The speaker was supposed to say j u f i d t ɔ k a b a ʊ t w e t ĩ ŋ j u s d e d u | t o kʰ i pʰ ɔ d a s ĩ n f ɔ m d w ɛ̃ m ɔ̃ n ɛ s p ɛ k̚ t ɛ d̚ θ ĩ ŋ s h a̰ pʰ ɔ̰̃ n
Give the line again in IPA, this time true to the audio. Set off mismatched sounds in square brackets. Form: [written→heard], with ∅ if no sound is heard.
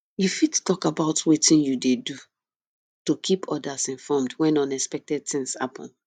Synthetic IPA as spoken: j u f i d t ɔ k a b a ʊ t w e t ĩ [ŋ→n] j u [s→∅] d e d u | t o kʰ i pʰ ɔ d a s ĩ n f ɔ m d w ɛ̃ [m→n] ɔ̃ n ɛ s p ɛ k̚ t ɛ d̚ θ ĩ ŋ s h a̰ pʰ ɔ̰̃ n

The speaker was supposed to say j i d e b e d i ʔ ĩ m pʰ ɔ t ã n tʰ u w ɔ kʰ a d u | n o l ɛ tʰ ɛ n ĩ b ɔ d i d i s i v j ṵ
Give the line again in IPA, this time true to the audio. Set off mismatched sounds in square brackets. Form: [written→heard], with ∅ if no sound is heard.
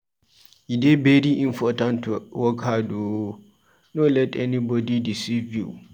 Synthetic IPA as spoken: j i d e b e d i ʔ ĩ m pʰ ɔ t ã n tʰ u w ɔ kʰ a d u | n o l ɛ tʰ ɛ n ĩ b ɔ d i d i s i v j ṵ

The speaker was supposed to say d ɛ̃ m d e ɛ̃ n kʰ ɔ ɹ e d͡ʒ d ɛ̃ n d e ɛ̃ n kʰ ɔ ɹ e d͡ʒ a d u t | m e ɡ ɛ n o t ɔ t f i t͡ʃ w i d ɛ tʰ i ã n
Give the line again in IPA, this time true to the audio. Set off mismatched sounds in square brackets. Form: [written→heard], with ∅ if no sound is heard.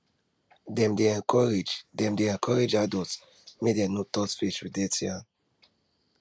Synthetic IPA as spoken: d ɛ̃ m d e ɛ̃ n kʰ ɔ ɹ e d͡ʒ d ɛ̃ [n→m] d e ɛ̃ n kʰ ɔ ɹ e d͡ʒ a d [u→ɔ] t | m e [ɡ→d] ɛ n o t ɔ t f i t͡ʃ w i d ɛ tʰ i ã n

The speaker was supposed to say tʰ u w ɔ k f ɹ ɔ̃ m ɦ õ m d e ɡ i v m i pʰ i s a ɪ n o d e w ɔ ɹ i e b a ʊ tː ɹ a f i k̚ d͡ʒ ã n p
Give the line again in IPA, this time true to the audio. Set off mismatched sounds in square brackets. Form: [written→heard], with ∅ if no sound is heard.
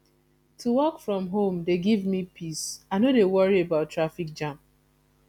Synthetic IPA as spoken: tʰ u w ɔ k f ɹ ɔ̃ m ɦ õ m d e ɡ i v m i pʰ i s a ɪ n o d e w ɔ ɹ i e b a ʊ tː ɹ a f i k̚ d͡ʒ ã [n→m] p

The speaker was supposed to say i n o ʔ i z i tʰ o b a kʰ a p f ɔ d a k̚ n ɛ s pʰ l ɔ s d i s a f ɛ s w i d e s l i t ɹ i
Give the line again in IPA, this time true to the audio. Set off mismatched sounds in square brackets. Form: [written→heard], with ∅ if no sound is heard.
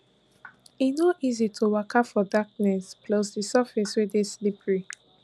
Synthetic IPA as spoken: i n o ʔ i z i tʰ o [b→w] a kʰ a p f ɔ d a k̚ n ɛ s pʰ l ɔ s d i s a f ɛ s w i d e s l i [t→p] ɹ i

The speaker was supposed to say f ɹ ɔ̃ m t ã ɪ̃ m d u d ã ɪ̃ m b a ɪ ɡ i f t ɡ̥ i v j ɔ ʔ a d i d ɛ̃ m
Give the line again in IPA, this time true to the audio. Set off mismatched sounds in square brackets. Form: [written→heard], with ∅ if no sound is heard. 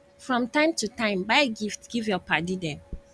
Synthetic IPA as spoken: f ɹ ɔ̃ m t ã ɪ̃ m [d→t] u [d→t] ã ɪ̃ m b a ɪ ɡ i f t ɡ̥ i v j ɔ [ʔ→p] a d i d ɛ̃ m

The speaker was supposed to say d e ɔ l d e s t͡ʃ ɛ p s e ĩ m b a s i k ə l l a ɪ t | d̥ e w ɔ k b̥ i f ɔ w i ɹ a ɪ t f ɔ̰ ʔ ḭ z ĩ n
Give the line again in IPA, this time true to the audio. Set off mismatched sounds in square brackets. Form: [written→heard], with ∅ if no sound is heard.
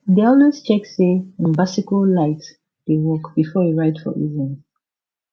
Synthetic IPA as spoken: d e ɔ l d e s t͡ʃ ɛ [p→k] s e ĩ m b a s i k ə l l a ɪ t | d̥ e w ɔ k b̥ i f ɔ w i ɹ a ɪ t f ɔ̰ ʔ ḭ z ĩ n

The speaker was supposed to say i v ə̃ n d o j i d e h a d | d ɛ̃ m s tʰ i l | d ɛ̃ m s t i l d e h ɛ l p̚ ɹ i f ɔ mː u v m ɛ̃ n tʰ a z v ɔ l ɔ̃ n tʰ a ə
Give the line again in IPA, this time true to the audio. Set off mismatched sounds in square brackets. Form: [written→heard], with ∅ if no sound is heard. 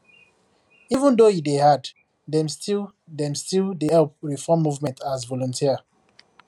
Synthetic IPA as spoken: i v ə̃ n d o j i d e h a d | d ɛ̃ m s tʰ i l | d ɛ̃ m s t i l d e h ɛ l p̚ ɹ i f ɔ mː u v m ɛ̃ n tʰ a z v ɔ l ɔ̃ n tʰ [a→i] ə

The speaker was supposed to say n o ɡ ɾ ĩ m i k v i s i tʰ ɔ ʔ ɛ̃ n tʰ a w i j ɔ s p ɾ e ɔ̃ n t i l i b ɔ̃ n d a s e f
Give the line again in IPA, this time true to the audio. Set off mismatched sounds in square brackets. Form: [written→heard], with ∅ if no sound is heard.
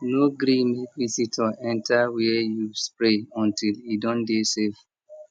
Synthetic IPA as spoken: n o ɡ ɾ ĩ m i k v i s i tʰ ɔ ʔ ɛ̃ n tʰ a w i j [ɔ→u] s p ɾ e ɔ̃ n t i l i [b→d] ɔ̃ n d [a→e] s e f

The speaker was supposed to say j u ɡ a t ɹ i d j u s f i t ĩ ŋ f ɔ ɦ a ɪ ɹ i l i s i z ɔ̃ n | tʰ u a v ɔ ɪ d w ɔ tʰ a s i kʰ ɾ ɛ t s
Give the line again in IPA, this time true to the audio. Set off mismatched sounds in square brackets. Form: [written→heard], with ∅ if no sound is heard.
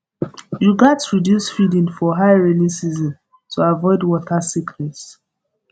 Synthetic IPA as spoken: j u ɡ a t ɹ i d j u s f i [t→d] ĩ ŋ f ɔ ɦ a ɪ ɹ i l i s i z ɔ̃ n | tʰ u a v ɔ ɪ d w ɔ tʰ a s i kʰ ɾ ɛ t s

